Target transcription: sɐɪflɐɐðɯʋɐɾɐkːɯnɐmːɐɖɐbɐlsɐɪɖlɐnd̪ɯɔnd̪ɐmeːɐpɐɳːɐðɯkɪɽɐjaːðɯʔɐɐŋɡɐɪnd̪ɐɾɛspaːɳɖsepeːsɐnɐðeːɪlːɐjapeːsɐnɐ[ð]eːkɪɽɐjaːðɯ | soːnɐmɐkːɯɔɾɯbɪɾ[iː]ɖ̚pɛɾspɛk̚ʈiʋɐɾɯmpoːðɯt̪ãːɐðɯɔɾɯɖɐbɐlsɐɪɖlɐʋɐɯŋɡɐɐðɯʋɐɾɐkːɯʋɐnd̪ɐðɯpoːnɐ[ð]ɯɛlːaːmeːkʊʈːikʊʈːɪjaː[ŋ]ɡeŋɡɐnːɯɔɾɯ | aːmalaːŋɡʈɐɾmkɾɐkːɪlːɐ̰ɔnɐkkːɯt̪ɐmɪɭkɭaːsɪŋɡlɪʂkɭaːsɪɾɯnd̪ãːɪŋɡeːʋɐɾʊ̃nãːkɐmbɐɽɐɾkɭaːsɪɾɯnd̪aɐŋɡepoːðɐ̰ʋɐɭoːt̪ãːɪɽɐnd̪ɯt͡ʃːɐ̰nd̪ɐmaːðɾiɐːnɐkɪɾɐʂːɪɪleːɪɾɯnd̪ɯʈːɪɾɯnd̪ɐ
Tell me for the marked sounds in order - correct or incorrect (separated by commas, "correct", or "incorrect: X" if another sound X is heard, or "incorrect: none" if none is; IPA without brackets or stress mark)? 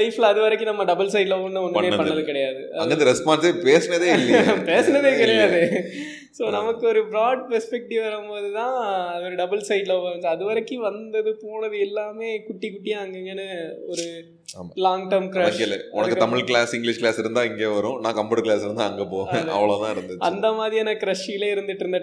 correct, incorrect: aː, correct, correct